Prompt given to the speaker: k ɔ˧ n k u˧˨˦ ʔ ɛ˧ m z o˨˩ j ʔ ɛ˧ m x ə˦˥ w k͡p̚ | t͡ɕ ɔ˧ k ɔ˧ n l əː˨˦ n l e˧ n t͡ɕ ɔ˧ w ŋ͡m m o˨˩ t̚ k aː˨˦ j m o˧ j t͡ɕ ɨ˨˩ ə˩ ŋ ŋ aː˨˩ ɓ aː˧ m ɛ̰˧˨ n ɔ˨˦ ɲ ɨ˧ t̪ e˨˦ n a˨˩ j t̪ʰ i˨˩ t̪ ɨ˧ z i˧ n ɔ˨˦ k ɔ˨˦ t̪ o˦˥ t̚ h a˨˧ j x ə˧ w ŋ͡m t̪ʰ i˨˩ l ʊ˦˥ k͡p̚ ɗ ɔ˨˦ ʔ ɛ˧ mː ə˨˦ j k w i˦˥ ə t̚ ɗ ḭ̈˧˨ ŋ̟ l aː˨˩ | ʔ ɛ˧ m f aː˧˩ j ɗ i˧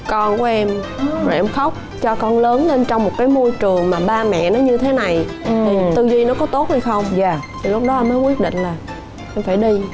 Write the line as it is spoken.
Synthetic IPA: k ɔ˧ n k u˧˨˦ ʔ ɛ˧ m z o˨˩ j ʔ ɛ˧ m x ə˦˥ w k͡p̚ | t͡ɕ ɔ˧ k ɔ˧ n l əː˨˦ n l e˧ n t͡ɕ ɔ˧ w ŋ͡m m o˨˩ t̚ k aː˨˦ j m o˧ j t͡ɕ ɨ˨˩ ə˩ ŋ m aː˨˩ ɓ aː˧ m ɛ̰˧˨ n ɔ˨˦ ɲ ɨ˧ t̪ʰ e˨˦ n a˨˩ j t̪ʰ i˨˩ t̪ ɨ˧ z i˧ n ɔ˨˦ k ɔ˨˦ t̪ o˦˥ t̚ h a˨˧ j x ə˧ w ŋ͡m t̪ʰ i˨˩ l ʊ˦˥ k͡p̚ ɗ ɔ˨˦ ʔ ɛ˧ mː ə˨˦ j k w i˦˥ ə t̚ ɗ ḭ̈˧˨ ŋ̟ l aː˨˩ | ʔ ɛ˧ m f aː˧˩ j ɗ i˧